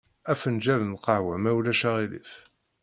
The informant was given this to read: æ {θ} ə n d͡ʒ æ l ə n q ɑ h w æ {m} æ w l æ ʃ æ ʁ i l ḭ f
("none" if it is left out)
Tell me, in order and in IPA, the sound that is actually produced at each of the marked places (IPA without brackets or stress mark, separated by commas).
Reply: f, m